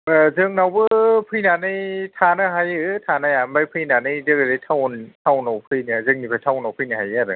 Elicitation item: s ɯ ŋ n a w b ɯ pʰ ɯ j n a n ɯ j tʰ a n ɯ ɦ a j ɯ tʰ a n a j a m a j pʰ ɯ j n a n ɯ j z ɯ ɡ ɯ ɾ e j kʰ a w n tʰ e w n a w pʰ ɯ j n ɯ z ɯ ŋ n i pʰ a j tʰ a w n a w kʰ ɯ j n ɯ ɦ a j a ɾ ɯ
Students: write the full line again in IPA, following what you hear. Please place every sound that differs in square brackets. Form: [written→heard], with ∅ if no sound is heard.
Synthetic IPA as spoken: [s→z] ɯ ŋ n a w b ɯ pʰ ɯ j n a n ɯ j tʰ a n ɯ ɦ a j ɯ tʰ a n a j a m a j pʰ ɯ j n a n ɯ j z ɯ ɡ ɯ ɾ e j [kʰ→tʰ] a w n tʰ [e→a] w n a w pʰ ɯ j n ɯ z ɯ ŋ n i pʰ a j tʰ a w n a w [kʰ→pʰ] ɯ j n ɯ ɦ a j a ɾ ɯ